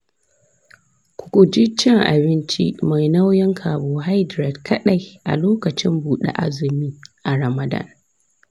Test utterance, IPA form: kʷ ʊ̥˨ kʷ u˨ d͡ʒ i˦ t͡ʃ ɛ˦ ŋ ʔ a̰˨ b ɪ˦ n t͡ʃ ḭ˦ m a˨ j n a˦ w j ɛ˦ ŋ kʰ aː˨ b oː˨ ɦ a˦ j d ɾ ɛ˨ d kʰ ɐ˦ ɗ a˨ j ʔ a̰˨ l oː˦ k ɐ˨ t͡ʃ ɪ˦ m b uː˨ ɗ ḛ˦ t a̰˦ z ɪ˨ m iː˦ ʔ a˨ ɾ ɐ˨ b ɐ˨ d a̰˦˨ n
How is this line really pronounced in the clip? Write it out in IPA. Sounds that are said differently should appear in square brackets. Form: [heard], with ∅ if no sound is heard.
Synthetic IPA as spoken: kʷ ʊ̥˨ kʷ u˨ d͡ʒ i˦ t͡ʃ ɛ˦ ŋ ʔ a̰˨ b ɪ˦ n t͡ʃ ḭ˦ m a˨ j n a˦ w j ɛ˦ ŋ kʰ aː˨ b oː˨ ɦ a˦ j d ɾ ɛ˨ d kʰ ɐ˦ ɗ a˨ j ʔ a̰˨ l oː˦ k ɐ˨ t͡ʃ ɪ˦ m b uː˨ ɗ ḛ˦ [ʔ] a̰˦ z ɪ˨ m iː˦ ʔ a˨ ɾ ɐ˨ [m] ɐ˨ d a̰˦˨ n